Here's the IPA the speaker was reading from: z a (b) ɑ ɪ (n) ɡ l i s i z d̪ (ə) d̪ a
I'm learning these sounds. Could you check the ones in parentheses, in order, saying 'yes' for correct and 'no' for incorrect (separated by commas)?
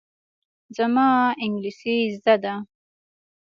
no, no, no